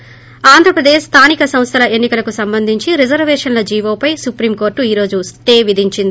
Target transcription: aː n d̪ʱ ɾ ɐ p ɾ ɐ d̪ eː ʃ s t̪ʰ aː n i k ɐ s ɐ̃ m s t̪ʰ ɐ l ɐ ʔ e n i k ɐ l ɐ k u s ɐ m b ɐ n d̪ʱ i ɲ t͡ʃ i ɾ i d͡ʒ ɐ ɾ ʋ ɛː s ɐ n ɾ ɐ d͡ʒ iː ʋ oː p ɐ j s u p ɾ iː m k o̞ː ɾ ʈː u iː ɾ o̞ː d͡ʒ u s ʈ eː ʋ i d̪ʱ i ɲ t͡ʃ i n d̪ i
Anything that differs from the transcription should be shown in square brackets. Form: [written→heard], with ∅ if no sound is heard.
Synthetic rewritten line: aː n d̪ʱ ɾ ɐ p ɾ ɐ d̪ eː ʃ s t̪ʰ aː n i k ɐ s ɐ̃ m s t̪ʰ ɐ l ɐ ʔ e [n→nː] i k ɐ l ɐ k u s ɐ m b ɐ n d̪ʱ i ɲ t͡ʃ i ɾ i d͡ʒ ɐ ɾ ʋ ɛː [s→ʂ] ɐ n [ɾ→l] ɐ d͡ʒ iː ʋ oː p ɐ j s u p ɾ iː m k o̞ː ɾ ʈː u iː ɾ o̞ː d͡ʒ u s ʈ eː ʋ i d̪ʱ i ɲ t͡ʃ i n d̪ i